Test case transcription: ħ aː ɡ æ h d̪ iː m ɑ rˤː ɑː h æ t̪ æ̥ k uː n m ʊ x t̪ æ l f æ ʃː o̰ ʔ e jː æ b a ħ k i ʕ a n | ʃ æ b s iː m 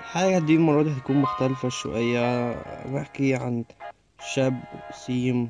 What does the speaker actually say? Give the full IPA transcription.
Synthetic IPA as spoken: ħ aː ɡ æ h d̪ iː m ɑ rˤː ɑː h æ t̪ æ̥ k uː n m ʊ x t̪ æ l f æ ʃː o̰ ʔ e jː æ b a ħ k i ʕ a n | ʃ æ b s iː m